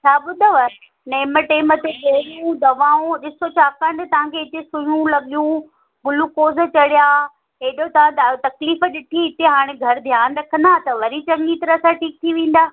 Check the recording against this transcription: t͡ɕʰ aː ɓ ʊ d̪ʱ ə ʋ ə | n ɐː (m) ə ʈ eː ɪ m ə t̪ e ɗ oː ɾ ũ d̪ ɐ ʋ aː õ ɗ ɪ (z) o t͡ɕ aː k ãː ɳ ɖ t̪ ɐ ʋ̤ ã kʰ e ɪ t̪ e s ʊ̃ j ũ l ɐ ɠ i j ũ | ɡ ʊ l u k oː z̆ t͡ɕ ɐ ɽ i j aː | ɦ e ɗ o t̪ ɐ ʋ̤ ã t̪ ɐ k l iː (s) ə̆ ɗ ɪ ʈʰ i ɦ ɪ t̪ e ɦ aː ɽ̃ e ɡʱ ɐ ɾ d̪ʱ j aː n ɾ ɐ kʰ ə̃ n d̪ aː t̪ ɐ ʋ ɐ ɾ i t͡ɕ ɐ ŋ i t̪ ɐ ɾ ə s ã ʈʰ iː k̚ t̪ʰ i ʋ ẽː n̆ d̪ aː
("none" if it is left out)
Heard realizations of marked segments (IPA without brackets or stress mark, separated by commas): m, s, f